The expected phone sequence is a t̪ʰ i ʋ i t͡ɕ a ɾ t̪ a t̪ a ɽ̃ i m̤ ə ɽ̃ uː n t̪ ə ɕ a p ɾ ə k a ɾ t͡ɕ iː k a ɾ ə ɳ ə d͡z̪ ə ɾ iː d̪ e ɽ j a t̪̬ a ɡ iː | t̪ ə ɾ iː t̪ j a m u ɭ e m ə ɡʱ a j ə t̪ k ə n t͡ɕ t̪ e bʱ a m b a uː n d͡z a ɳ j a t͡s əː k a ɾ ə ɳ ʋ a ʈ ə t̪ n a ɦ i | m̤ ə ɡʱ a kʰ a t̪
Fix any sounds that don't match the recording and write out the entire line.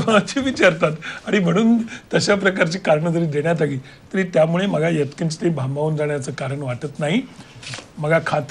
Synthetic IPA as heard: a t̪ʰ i ʋ i t͡ɕ a ɾ t̪ a t̪ a ɽ̃ i m̤ ə ɽ̃ uː n t̪ ə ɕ a p ɾ ə k a ɾ t͡ɕ iː k a ɾ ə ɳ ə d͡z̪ ə ɾ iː d̪ e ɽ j a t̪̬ a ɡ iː | t̪ ə ɾ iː t̪ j a m u ɭ e m ə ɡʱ a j ə t̪ k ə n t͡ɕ t̪ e bʱ a m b a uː n d͡z a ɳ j a t͡s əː k a ɾ ə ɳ ʋ a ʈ ə t̪ n a ɦ i | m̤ ə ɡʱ a kʰ a t̪